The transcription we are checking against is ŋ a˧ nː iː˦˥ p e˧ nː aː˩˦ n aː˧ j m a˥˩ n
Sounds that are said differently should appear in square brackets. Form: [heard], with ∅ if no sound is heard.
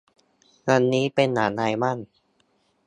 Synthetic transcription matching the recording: ŋ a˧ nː iː˦˥ p e˧ nː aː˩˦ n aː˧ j m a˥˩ n

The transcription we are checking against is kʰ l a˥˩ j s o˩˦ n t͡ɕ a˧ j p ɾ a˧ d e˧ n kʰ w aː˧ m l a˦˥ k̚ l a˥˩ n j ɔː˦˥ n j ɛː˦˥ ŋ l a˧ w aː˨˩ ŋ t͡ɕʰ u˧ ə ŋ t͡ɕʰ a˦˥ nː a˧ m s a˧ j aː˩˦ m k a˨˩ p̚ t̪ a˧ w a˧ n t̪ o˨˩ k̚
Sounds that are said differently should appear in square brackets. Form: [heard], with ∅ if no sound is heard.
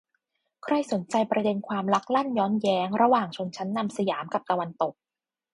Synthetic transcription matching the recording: kʰ [ɾ] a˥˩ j s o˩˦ n t͡ɕ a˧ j p ɾ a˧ d e˧ n kʰ w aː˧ m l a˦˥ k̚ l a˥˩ n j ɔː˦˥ n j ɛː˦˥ ŋ [ɾ] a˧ w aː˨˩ ŋ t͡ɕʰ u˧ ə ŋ t͡ɕʰ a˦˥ nː a˧ m s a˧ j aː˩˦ m k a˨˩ p̚ t̪ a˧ w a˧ n t̪ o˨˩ k̚

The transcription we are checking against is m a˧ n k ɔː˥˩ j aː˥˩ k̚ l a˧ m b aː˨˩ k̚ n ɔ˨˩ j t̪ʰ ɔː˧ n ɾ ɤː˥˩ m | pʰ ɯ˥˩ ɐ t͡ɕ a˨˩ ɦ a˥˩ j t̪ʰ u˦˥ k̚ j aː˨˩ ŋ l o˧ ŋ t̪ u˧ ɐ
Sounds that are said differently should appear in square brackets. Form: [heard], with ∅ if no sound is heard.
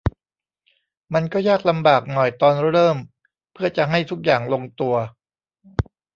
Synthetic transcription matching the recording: m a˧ n k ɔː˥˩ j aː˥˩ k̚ l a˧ m b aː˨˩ k̚ n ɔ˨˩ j [t̪] ɔː˧ n ɾ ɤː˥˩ m | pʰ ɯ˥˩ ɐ t͡ɕ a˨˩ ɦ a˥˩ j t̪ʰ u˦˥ k̚ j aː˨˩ ŋ l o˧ ŋ t̪ u˧ ɐ

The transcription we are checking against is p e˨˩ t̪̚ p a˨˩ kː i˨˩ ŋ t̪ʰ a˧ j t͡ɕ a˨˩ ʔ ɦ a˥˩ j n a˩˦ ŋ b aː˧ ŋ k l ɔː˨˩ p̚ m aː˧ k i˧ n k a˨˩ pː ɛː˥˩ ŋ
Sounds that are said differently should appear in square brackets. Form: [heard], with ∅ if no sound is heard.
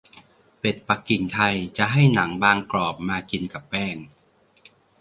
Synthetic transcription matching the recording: p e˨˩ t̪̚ p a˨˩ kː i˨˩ ŋ t̪ʰ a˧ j t͡ɕ a˨˩ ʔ ɦ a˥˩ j n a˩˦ ŋ b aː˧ ŋ k l ɔː˨˩ p̚ m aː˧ k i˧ n k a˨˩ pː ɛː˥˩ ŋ

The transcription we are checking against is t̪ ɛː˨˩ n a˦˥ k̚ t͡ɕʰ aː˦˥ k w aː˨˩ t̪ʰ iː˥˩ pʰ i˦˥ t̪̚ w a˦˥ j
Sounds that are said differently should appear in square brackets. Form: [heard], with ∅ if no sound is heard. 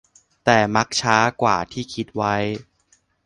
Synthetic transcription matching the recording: t̪ ɛː˨˩ [m] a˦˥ k̚ t͡ɕʰ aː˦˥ k w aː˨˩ t̪ʰ iː˥˩ [kʰ] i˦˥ t̪̚ w a˦˥ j

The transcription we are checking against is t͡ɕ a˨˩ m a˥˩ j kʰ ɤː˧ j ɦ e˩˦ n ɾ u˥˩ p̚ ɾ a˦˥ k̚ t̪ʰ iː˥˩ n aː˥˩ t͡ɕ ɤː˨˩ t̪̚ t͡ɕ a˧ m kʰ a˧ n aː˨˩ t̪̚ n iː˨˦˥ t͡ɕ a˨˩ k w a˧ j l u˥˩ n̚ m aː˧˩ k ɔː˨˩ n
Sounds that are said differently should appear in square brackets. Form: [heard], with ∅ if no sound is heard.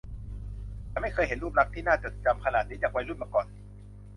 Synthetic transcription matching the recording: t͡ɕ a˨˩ m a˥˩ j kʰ ɤː˧ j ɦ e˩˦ n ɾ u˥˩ p̚ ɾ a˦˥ k̚ t̪ʰ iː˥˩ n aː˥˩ t͡ɕ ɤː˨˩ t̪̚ t͡ɕ a˧ m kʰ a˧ n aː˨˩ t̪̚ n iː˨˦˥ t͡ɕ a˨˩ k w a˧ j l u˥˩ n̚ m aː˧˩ k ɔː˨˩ n

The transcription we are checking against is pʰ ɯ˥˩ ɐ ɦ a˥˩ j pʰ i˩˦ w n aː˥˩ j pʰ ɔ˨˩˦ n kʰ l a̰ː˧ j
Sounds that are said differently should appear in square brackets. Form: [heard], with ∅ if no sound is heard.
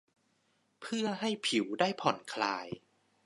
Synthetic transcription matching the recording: pʰ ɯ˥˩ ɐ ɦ a˥˩ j pʰ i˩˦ w [d] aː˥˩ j pʰ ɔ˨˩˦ n kʰ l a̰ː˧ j

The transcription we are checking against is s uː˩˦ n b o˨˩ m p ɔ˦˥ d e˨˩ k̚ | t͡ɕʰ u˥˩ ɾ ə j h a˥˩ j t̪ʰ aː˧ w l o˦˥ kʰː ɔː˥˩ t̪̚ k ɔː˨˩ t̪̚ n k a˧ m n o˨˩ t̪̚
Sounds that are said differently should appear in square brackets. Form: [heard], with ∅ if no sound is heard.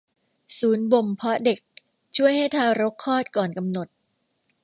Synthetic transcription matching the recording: s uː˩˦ n b o˨˩ m [pʰ] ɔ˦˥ d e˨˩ k̚ | t͡ɕʰ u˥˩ [∅] ə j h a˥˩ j t̪ʰ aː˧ w [ɾ] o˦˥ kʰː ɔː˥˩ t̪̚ k ɔː˨˩ [∅] n k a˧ m n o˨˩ t̪̚

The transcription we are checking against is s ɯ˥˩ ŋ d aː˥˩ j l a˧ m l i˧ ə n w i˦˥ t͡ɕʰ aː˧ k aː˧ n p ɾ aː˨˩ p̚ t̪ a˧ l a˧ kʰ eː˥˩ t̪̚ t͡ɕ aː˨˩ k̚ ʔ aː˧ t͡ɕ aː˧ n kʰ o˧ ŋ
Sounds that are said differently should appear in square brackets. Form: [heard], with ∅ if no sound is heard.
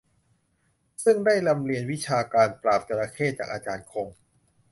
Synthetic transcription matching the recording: s ɯ˥˩ ŋ d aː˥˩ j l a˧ m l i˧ ə n w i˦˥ t͡ɕʰ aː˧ k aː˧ n p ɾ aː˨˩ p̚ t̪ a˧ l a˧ kʰ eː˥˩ t̪̚ t͡ɕ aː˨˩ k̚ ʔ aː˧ t͡ɕ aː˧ n kʰ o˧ ŋ

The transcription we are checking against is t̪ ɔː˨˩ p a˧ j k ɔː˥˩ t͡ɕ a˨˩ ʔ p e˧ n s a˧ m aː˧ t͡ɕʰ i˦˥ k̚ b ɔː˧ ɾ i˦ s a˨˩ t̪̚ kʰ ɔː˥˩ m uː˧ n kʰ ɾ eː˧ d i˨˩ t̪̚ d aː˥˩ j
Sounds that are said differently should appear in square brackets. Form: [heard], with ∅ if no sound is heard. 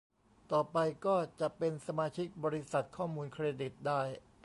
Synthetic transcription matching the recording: t̪ ɔː˨˩ p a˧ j k ɔː˥˩ t͡ɕ a˨˩ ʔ p e˧ n s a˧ m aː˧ t͡ɕʰ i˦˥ k̚ b ɔː˧ ɾ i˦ s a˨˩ t̪̚ kʰ ɔː˥˩ m uː˧ n kʰ ɾ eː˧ d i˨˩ t̪̚ d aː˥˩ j

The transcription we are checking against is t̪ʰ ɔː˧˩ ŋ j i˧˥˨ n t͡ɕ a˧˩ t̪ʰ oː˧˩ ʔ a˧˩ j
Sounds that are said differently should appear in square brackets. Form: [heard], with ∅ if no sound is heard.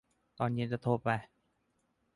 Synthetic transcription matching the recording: [t̪] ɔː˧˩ [n] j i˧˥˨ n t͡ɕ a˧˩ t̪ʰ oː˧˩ [p] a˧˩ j

